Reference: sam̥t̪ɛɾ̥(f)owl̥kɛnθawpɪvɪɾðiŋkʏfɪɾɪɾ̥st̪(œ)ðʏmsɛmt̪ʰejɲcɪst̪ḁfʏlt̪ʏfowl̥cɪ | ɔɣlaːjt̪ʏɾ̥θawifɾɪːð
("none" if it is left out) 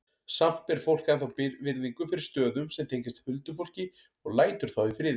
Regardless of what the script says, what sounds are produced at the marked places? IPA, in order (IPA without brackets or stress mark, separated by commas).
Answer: f, œː